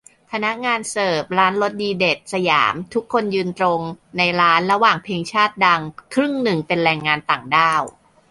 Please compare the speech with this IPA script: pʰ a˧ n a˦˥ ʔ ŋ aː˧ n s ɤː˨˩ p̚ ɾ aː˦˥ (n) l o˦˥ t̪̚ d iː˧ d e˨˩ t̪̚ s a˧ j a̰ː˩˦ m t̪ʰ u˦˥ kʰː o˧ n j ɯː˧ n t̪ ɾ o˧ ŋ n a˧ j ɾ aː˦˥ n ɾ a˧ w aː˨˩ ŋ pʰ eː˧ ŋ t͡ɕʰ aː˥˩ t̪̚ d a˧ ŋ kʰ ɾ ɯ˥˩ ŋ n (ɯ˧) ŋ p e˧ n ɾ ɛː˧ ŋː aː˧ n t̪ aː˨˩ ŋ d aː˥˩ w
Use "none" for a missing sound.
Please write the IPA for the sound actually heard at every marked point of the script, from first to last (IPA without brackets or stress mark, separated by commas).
n, ɯ˨˩